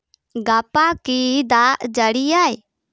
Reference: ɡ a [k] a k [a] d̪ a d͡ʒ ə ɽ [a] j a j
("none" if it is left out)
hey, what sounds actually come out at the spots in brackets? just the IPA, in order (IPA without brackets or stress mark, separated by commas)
p, i, i